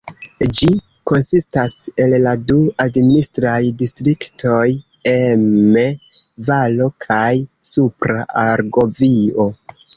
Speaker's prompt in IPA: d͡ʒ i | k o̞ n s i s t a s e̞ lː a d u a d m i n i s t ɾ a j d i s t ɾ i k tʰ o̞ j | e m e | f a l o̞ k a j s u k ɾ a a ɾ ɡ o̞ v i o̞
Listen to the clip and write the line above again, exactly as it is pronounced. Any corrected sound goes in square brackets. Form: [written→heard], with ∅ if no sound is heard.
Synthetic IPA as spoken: d͡ʒ i | k o̞ n s i s t a s e̞ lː a d u a d m i n i s t ɾ a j d i s t ɾ i k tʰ o̞ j | e m e | [f→v] a l o̞ [k→kʰ] a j s u [k→p] ɾ a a ɾ ɡ o̞ v i o̞